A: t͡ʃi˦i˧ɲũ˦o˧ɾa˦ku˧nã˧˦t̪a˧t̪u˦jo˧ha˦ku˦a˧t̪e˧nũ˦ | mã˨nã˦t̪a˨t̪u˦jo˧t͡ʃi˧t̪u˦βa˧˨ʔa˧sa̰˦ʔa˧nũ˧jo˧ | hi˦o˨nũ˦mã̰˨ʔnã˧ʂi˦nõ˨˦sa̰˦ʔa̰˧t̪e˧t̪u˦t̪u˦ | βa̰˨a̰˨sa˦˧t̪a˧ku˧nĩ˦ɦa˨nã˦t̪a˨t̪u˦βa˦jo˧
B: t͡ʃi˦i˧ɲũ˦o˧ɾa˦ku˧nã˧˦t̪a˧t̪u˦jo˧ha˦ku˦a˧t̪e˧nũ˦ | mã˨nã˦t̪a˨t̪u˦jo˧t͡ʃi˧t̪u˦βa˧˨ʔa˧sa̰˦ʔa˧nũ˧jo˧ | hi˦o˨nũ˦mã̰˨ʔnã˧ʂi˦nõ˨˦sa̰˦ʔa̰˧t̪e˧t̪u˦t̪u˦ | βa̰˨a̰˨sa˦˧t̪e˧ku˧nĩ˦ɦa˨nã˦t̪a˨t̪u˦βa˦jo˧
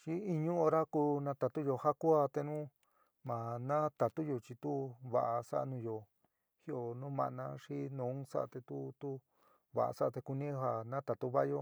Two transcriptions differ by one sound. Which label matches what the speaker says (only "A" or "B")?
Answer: B